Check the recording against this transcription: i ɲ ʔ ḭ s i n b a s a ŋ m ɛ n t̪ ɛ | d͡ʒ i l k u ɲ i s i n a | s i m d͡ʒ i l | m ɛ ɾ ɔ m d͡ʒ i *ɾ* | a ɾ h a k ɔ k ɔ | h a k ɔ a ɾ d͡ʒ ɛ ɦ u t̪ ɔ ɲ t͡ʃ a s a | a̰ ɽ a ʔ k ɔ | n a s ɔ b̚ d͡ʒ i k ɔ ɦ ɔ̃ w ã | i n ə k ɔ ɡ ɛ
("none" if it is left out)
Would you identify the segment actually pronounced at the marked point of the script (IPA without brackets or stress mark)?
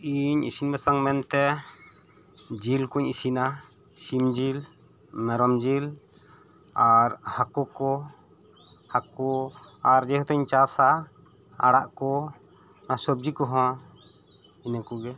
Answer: l